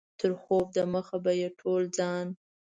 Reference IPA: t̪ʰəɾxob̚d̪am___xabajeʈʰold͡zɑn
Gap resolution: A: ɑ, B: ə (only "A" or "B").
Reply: B